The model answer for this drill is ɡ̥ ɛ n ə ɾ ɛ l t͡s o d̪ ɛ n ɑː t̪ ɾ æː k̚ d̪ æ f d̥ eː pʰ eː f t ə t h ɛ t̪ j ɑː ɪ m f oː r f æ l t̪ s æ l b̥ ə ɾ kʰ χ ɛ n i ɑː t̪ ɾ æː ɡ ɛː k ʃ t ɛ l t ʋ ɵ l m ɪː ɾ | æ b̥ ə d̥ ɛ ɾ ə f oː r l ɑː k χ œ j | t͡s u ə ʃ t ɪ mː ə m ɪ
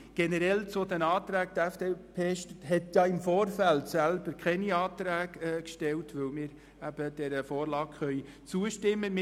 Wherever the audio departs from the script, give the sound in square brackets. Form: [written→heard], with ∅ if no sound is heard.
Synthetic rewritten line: ɡ̥ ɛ n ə ɾ ɛ l t͡s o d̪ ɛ n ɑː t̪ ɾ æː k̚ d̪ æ f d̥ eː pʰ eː [f→ʃ] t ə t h ɛ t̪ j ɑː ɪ m f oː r f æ l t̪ s æ l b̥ ə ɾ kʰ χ ɛ n i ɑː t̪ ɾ æː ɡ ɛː k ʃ t ɛ l t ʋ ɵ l m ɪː ɾ | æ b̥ ə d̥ ɛ ɾ ə f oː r l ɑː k χ œ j | t͡s u ə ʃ t ɪ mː ə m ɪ